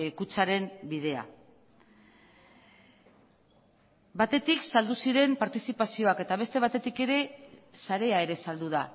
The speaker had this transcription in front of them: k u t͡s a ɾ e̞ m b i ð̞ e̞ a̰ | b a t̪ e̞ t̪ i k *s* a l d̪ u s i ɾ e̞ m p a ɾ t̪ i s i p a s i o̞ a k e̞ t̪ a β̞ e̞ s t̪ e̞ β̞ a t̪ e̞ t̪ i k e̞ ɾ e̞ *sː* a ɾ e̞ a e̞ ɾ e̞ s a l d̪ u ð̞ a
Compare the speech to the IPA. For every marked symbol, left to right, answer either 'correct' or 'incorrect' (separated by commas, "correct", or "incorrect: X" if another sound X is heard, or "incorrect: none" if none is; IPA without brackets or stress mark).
correct, incorrect: s